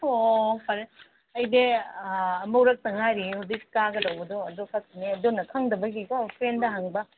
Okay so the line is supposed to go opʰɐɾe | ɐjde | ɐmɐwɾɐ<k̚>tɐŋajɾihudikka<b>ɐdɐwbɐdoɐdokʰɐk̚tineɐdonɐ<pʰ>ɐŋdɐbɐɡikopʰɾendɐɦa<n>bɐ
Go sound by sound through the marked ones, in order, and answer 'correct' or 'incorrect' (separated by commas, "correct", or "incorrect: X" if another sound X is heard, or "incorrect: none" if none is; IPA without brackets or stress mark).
correct, incorrect: ɡ, incorrect: kʰ, incorrect: ŋ